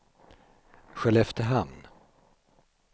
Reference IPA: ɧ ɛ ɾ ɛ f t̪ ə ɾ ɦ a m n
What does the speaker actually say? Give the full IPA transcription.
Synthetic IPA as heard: ɧ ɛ l ɛ f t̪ ə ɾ ɦ a m n